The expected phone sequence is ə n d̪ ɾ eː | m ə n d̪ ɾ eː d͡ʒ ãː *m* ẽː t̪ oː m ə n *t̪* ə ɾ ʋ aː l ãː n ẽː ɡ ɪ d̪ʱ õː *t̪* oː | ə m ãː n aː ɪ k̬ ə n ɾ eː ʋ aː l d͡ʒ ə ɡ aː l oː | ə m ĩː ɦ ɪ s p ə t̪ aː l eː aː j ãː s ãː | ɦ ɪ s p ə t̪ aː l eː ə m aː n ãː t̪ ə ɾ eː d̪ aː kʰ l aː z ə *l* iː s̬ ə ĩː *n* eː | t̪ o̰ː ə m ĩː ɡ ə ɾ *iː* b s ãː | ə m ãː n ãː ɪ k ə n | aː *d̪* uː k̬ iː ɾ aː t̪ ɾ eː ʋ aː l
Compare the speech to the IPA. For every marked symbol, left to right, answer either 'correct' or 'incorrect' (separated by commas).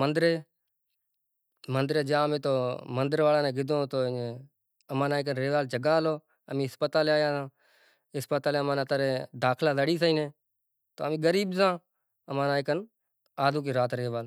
correct, incorrect, correct, incorrect, correct, correct, correct